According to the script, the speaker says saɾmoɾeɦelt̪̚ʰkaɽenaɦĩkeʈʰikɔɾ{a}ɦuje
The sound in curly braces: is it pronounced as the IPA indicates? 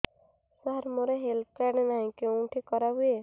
yes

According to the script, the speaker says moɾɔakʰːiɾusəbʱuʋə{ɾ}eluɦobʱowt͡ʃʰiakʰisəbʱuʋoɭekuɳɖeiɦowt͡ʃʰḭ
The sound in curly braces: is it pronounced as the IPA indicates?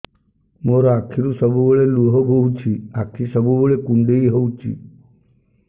no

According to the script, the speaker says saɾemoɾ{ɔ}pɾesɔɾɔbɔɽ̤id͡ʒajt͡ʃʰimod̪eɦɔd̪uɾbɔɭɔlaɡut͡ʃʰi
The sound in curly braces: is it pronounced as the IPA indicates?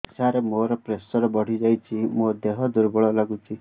yes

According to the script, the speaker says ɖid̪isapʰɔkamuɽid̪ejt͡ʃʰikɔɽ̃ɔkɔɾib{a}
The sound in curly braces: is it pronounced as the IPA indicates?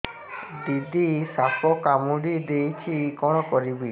no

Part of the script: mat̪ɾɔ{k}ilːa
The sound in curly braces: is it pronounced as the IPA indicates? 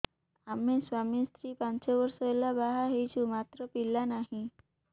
no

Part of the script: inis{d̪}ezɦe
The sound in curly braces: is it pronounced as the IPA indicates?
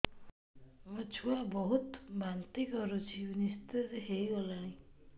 no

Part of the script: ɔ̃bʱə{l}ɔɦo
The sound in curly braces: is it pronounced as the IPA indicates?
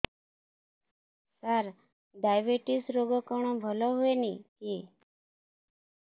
yes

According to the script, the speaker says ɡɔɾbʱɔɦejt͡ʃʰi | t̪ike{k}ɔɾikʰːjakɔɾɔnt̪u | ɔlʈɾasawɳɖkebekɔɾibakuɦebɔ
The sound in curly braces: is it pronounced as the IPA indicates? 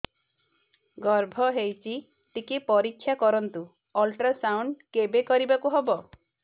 no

